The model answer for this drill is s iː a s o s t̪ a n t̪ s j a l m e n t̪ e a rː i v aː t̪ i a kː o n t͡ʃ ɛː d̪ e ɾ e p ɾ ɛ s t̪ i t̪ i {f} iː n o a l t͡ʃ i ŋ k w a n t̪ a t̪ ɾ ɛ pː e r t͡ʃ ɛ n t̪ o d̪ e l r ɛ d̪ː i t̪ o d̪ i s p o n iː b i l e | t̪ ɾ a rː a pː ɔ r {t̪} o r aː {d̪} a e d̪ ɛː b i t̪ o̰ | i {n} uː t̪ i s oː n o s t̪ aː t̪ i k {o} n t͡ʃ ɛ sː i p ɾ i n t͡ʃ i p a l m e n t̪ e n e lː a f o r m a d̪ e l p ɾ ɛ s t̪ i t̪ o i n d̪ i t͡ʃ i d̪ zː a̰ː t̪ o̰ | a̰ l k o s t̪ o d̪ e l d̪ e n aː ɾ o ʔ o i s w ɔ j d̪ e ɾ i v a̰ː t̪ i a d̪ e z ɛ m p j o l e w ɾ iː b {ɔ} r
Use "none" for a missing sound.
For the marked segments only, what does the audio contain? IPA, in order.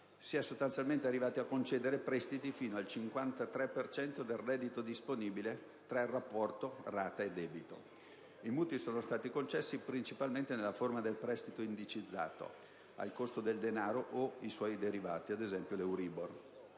f, t̪, t̪, m, o, o

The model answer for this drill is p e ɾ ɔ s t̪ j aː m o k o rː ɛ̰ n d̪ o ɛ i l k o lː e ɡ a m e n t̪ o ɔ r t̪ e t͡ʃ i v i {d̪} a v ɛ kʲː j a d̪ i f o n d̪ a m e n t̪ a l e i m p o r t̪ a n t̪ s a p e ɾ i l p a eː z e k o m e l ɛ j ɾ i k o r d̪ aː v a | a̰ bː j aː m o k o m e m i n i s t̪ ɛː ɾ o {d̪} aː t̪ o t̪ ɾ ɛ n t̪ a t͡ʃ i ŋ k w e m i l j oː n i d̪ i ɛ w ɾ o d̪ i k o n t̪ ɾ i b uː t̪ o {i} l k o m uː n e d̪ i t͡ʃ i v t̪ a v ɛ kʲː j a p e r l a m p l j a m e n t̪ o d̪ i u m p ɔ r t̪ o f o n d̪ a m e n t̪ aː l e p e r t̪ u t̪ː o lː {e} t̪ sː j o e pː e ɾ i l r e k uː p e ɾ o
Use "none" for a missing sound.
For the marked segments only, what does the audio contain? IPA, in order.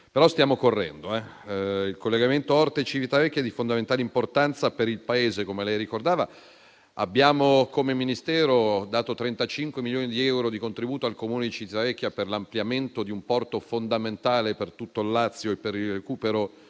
t̪, d̪, a, a

